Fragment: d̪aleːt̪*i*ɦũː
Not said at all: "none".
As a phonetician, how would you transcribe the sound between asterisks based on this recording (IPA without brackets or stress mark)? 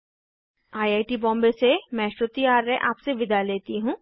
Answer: i